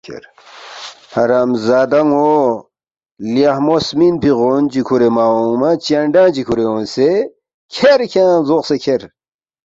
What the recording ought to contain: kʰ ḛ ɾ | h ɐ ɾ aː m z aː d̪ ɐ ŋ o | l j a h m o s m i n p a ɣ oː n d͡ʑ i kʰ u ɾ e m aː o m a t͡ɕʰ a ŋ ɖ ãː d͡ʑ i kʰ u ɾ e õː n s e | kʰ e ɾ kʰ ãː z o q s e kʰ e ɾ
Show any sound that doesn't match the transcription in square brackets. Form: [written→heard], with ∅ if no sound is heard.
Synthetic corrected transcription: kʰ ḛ ɾ | h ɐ ɾ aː m z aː d̪ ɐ ŋ o | l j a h m o s m i n p [a→i] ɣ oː n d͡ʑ i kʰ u ɾ e m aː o m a [t͡ɕʰ→t͡ɕ] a [ŋ→ɳ] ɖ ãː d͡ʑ i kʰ u ɾ e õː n s e | kʰ e ɾ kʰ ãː z o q s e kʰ e ɾ

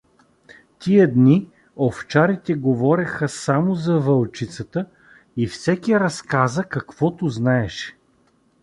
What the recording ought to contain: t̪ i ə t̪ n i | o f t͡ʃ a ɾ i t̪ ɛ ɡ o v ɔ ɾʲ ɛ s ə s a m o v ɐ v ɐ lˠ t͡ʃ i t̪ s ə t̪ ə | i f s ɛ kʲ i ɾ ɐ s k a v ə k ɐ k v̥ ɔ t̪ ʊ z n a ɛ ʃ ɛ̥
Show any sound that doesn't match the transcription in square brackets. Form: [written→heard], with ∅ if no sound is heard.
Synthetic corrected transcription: t̪ i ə [t̪→d̪] n i | o f t͡ʃ a ɾ i t̪ ɛ ɡ o v ɔ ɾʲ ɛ [s→x] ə s a m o [v→z] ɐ v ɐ lˠ t͡ʃ i t̪ s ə t̪ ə | i f s ɛ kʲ i ɾ ɐ s k a [v→z] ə k ɐ k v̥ ɔ t̪ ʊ z n a ɛ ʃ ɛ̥

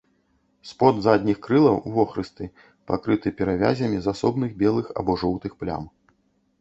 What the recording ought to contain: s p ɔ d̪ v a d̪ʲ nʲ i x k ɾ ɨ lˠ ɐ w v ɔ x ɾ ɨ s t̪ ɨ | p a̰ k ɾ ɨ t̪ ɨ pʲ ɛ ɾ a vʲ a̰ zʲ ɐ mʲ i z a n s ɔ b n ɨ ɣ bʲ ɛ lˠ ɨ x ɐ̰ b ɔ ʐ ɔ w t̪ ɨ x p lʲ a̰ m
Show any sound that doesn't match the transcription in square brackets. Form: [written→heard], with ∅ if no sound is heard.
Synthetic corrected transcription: s p ɔ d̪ [v→z] a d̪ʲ nʲ i x k ɾ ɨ lˠ ɐ w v ɔ x ɾ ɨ s t̪ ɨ | p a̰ k ɾ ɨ t̪ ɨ pʲ ɛ ɾ a vʲ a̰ zʲ ɐ mʲ i z a [n→∅] s ɔ b n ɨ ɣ bʲ ɛ lˠ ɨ x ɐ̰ b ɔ ʐ ɔ w t̪ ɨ x p lʲ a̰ m

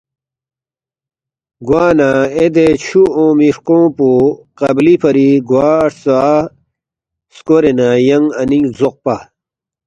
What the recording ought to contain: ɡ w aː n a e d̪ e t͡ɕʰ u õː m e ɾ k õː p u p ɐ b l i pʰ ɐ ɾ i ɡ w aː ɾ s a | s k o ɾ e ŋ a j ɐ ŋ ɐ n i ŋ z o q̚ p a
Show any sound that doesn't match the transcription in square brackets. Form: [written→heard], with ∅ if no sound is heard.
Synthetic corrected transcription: ɡ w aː n a e d̪ e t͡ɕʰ u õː m [e→i] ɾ k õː p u [p→q] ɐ b l i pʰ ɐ ɾ i ɡ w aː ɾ s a | s k o ɾ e [ŋ→n] a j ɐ ŋ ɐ n i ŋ z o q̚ p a

